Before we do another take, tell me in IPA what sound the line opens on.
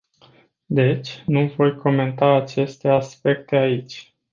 d̪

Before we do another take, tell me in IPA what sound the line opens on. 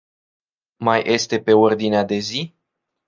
m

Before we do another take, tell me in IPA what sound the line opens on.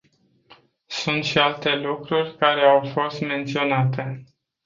s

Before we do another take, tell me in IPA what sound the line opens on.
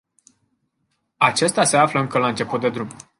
a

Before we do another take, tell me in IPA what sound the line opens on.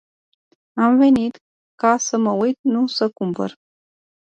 a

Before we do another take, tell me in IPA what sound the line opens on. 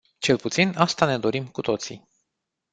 t͡ʃ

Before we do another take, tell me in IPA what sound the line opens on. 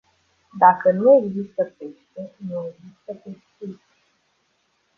d̪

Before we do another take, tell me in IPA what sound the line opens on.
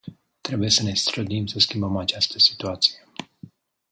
t̪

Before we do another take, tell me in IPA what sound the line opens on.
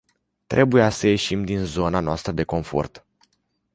t̪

